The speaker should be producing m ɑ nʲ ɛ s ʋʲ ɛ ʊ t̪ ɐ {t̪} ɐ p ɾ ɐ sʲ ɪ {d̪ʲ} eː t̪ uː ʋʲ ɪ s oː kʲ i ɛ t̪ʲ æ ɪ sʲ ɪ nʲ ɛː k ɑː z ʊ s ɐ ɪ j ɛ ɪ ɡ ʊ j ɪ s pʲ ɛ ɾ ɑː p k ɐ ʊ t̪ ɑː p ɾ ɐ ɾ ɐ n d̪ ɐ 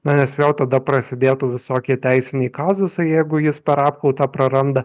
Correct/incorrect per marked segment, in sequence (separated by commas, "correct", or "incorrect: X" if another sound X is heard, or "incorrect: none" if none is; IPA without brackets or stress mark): incorrect: d̪, correct